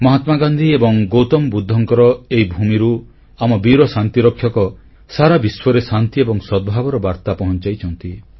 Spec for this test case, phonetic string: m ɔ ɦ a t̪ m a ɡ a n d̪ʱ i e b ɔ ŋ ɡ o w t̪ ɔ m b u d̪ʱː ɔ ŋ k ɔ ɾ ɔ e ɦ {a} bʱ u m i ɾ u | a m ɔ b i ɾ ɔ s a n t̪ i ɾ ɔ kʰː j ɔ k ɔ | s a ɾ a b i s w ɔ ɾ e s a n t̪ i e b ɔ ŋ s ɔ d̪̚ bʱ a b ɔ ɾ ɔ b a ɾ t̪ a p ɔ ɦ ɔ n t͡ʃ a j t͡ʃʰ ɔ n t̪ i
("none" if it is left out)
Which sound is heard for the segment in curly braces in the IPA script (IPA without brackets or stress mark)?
i